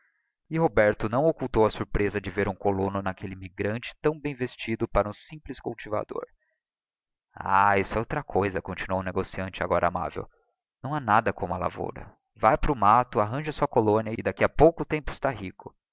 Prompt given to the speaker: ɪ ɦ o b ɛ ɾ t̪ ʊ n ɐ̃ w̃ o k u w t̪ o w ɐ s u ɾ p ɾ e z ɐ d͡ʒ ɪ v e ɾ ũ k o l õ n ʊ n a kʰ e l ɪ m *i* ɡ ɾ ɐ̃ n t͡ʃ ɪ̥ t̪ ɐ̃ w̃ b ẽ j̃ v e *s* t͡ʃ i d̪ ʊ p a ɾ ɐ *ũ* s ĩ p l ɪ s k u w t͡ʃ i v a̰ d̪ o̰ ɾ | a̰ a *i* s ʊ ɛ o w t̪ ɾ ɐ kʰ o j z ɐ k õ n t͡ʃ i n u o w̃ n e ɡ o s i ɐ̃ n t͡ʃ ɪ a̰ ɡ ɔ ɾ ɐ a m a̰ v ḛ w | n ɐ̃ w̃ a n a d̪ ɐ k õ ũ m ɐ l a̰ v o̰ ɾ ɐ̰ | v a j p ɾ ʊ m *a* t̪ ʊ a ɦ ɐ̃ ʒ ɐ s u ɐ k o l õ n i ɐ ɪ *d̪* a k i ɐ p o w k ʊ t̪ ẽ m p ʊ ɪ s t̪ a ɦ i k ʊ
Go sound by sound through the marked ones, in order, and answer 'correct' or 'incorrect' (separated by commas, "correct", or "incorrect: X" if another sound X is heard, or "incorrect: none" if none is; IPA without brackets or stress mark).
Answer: correct, correct, correct, correct, correct, correct